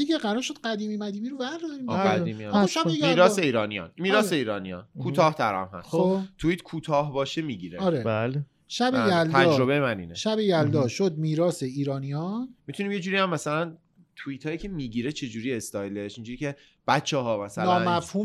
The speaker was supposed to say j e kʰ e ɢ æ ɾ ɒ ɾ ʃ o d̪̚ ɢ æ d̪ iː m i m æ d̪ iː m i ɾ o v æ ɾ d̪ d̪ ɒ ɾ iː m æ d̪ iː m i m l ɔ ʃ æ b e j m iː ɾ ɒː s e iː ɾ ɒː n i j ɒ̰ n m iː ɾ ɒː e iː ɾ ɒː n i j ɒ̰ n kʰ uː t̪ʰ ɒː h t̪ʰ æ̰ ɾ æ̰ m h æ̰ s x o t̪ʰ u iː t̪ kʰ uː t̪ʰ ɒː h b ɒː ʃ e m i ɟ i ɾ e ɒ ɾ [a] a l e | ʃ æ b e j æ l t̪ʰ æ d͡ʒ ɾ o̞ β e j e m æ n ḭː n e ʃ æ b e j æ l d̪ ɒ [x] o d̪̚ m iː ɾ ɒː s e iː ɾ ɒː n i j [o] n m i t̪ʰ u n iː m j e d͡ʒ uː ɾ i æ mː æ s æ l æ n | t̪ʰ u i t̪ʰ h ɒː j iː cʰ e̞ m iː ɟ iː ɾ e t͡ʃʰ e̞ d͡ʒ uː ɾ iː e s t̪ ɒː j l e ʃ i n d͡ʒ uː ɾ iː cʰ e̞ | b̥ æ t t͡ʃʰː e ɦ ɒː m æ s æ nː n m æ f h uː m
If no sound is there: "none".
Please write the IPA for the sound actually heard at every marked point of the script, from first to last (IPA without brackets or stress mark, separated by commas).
e, ʃ, ɒ